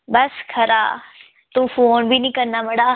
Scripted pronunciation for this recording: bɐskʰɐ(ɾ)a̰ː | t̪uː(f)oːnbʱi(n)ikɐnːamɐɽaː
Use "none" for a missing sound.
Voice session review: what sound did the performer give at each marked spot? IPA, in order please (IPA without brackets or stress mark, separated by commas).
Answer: ɾ, f, n